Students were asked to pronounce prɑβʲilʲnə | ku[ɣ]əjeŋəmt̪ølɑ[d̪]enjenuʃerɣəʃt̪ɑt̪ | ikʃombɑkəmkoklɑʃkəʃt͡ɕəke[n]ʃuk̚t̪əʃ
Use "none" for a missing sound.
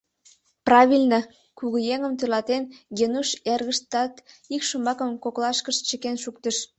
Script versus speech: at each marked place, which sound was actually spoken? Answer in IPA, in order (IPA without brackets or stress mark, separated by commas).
ɣ, t̪, n